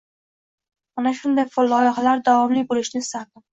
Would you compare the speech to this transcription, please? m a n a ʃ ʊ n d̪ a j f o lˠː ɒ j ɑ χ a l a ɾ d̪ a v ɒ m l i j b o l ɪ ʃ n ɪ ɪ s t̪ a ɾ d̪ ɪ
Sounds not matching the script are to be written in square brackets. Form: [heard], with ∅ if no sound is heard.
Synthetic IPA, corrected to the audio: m a n a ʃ ʊ n d̪ a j f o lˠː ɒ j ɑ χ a l a ɾ d̪ a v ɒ m l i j b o l ɪ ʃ n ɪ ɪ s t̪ a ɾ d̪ ɪ